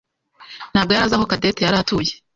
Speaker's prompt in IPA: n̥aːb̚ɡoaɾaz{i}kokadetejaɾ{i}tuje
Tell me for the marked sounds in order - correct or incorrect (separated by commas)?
incorrect, incorrect